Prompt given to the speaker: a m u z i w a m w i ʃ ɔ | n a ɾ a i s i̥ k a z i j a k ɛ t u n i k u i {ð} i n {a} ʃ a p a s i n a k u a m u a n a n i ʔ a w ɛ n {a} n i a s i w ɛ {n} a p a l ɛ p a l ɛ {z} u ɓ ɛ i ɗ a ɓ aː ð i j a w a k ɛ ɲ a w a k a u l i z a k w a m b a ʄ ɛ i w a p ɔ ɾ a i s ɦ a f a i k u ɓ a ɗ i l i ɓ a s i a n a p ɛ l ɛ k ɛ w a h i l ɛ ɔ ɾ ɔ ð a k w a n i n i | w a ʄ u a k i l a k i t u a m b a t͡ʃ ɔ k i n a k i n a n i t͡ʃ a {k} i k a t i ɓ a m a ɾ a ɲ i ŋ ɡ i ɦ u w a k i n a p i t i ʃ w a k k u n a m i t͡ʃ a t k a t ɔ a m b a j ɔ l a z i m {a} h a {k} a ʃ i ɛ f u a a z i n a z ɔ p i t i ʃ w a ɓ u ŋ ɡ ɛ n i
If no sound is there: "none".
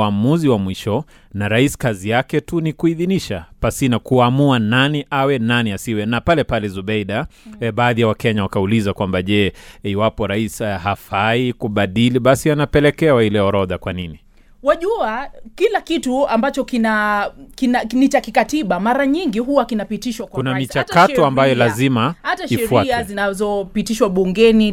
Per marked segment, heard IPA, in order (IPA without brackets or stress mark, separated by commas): ð, i, a, n, z, k, a, t